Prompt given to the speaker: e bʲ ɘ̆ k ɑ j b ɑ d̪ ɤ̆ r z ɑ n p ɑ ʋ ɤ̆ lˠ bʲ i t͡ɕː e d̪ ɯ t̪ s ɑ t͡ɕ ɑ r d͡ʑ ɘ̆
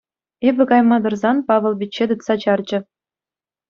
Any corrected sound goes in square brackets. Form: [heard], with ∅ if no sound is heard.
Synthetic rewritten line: e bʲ ɘ̆ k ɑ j [m] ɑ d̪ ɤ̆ r z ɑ n p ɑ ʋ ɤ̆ lˠ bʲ i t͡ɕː e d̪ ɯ t̪ s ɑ t͡ɕ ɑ r d͡ʑ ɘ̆